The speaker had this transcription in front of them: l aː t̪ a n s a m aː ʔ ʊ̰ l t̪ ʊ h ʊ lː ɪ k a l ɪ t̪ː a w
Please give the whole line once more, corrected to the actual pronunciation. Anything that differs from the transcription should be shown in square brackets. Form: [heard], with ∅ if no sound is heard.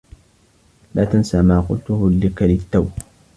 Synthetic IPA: l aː t̪ a n s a m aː [q] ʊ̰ l t̪ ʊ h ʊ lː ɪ k a l ɪ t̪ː a w